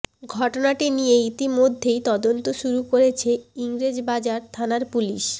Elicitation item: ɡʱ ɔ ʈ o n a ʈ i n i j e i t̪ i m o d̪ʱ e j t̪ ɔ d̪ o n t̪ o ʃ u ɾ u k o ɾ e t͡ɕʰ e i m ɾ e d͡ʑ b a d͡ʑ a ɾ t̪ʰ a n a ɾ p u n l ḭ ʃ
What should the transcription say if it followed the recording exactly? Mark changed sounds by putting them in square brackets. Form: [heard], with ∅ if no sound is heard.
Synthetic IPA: ɡʱ ɔ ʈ o n a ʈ i n i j e i t̪ i m o [d̪ʱː] e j t̪ ɔ d̪ o n t̪ o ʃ u ɾ u k o ɾ e t͡ɕʰ e i [ŋ] ɾ e d͡ʑ b a d͡ʑ a ɾ t̪ʰ a n a ɾ p u [∅] l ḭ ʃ

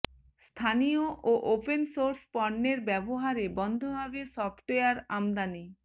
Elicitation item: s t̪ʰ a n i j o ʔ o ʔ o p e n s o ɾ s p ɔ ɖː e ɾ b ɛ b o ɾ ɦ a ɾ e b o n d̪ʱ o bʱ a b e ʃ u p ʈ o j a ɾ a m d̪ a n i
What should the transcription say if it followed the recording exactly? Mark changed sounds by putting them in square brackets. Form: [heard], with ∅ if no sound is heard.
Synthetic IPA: s t̪ʰ a n i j o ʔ o ʔ o p e n s o ɾ s p ɔ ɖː e ɾ b ɛ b o [∅] ɦ a ɾ e b [ɔ] n d̪ʱ o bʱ a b e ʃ [ɔ] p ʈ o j a ɾ a m d̪ a n i

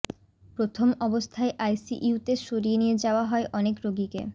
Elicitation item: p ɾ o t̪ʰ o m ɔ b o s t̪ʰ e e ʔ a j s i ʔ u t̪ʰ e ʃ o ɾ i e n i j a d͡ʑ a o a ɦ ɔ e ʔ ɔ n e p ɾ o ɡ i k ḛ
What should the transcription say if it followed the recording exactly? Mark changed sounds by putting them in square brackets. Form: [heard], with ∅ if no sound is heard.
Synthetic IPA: p ɾ o t̪ʰ o m ɔ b o s t̪ʰ [a] e ʔ a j s i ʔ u [t̪] e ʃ o ɾ i e n i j [e] d͡ʑ a o a ɦ ɔ e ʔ ɔ n e [k] ɾ o ɡ i k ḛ

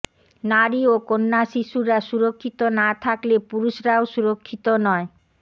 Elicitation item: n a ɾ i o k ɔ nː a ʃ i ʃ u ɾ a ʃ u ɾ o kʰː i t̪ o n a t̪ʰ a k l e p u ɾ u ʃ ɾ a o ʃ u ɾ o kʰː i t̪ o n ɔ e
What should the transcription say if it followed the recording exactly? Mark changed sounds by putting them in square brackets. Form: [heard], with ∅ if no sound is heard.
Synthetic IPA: n a ɾ i o k [o] nː a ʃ i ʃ u ɾ a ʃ u ɾ o kʰː i t̪ o n a t̪ʰ a k l e p u ɾ u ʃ ɾ a o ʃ u ɾ o kʰː i t̪ o n ɔ e

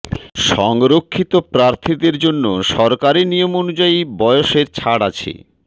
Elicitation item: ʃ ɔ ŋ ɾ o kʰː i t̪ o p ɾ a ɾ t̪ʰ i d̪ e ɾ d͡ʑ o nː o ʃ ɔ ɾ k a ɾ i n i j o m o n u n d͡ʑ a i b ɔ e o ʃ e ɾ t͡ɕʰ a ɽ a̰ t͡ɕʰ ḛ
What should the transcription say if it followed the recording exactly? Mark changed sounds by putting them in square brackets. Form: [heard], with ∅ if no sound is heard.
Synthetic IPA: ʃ ɔ ŋ ɾ o kʰː i t̪ o p ɾ a ɾ t̪ʰ i d̪ e ɾ d͡ʑ o nː o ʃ ɔ ɾ k a ɾ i n i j o m o n u [∅] d͡ʑ a i b ɔ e o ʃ e ɾ t͡ɕʰ a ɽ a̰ t͡ɕʰ ḛ

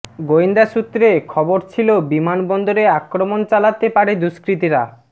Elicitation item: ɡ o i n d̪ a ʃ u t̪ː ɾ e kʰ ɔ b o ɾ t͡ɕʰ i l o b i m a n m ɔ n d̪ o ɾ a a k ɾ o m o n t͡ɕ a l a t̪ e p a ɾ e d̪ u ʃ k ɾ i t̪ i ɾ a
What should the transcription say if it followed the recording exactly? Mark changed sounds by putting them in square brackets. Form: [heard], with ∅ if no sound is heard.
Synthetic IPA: ɡ o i n d̪ a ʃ u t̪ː ɾ e kʰ ɔ b o ɾ t͡ɕʰ i l o b i m a n [b] ɔ n d̪ o ɾ [e] a k ɾ o m o n t͡ɕ a l a t̪ e p a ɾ e d̪ u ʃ k ɾ i t̪ i ɾ a

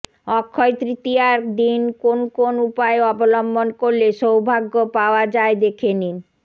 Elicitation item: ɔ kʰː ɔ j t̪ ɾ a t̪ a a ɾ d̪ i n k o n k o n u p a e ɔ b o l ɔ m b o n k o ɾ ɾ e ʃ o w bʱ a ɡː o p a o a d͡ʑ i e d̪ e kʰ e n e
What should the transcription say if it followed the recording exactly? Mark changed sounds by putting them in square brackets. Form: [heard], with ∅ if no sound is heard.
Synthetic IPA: ɔ kʰː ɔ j t̪ ɾ [i] t̪ [i] a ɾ d̪ i n k o n k o n u p a e ɔ b o l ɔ m b o n k o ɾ [l] e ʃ o w bʱ a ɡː o p a o a d͡ʑ [a] e d̪ e kʰ e n [i]

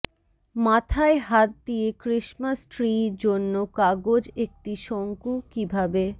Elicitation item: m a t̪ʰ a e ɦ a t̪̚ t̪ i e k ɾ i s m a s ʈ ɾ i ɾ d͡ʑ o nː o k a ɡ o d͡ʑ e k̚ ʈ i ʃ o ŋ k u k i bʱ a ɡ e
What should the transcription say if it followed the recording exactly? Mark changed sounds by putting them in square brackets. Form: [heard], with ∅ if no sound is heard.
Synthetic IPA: m a t̪ʰ a e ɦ a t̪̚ [d̪] i e k ɾ i [ʃ] m a s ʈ ɾ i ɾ d͡ʑ o nː o k a ɡ o d͡ʑ e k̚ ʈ i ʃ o ŋ k u k i bʱ a [b] e

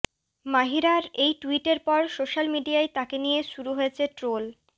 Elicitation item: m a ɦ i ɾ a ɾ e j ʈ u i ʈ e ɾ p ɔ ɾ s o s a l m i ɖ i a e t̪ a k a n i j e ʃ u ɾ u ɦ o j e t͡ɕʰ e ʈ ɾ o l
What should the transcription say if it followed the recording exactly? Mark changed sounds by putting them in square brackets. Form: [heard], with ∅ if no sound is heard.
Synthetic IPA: m a ɦ i ɾ a ɾ e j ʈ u i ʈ e ɾ p ɔ ɾ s o [ʃ] a l m i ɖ i a e t̪ a k [e] n i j e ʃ u ɾ u ɦ o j e t͡ɕʰ e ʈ ɾ o l

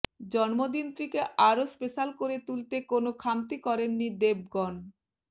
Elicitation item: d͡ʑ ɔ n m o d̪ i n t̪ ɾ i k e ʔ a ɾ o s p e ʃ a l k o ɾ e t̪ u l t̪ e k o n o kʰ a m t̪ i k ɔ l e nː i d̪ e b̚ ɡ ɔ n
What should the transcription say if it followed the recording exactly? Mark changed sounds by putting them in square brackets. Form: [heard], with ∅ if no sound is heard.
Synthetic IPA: d͡ʑ ɔ n m o d̪ i n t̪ ɾ i k e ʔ a ɾ o s p e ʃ a l k o ɾ e t̪ u l t̪ e k o n o kʰ a m t̪ i k ɔ [ɾ] e nː i d̪ e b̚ ɡ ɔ n

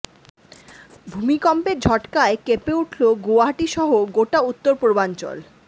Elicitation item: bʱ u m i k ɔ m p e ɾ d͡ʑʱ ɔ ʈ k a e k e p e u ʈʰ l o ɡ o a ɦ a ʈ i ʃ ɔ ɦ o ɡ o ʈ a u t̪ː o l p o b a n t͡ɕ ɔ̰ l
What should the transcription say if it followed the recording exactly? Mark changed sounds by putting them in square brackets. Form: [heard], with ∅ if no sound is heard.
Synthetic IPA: bʱ u m i k ɔ m p e ɾ d͡ʑʱ ɔ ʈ k a e k e p e u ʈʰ l o ɡ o a ɦ a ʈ i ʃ ɔ ɦ o ɡ o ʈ a u t̪ː o [ɾ] p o b a n t͡ɕ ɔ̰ l

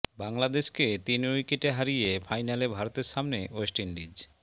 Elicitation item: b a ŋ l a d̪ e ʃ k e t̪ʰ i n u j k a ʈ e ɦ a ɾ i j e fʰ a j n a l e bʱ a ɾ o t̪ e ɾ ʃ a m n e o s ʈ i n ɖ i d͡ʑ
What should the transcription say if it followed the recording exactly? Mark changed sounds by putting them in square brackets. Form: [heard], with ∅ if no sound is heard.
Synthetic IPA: b a ŋ l a d̪ e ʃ k e [t̪] i n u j k [e] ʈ e ɦ a ɾ i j e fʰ a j n a l e bʱ a ɾ o t̪ e ɾ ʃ a m n e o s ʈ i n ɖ i d͡ʑ

